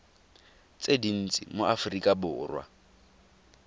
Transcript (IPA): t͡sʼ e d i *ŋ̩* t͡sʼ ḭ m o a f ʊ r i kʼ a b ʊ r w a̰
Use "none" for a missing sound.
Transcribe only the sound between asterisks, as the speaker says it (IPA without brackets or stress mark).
n̩